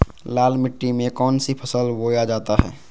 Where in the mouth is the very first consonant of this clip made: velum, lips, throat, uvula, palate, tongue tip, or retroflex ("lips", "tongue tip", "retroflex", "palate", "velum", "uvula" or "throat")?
tongue tip